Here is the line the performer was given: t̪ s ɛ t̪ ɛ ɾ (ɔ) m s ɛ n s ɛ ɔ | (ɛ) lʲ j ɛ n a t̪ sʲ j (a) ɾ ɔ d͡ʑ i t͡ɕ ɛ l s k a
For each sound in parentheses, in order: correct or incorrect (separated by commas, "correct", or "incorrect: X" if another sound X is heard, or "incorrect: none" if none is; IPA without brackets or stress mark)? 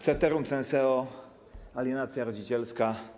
incorrect: u, incorrect: a, correct